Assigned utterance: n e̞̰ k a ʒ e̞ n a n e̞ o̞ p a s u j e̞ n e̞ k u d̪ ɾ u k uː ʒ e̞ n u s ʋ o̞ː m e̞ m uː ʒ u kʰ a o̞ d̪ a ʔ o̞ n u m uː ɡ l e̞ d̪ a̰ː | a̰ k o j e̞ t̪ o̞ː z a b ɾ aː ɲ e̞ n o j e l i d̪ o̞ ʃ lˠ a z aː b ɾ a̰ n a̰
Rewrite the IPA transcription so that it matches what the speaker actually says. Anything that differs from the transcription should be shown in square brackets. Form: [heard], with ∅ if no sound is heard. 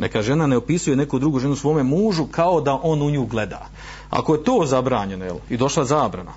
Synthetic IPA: n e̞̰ k a ʒ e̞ n a n e̞ o̞ p [i] s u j e̞ n e̞ k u d̪ ɾ u [ɡ] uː ʒ e̞ n u s ʋ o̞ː m e̞ m uː ʒ u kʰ a o̞ d̪ a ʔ o̞ n u [ɲ] uː ɡ l e̞ d̪ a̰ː | a̰ k o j e̞ t̪ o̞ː z a b ɾ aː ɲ e̞ n o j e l i d̪ o̞ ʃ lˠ a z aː b ɾ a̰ n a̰